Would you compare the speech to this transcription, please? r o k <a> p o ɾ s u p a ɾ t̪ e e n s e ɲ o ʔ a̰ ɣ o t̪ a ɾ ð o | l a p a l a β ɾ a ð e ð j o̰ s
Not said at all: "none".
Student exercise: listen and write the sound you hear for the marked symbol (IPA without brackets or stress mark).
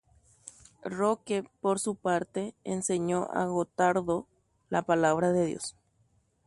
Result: e